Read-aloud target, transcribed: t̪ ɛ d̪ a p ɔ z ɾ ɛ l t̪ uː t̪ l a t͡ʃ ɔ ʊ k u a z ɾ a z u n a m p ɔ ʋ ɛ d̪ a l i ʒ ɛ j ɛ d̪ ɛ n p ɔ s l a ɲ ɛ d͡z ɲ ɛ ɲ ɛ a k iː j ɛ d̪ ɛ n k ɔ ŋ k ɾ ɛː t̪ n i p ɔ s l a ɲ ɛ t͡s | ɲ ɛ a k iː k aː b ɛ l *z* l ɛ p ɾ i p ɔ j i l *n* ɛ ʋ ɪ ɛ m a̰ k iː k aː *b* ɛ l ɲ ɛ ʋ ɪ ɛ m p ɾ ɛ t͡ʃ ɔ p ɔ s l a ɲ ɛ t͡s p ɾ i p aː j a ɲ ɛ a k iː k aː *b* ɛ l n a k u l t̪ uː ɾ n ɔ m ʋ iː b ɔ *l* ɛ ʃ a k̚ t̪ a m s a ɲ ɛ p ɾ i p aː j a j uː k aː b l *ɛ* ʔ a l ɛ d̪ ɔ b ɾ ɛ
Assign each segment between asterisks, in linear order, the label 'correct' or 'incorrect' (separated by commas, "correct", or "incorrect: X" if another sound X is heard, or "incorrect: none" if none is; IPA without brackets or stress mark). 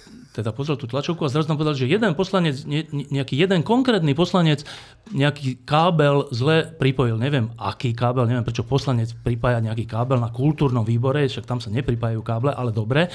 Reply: correct, incorrect: ɲ, correct, correct, incorrect: ɾ, correct